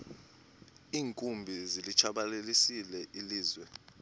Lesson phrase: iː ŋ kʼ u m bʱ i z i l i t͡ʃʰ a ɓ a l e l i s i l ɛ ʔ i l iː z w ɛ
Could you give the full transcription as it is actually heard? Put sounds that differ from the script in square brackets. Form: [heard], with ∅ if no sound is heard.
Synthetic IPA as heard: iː ŋ kʼ u m bʱ i z i l i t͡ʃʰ a ɓ a l e l i s i l ɛ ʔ i l iː z w ɛ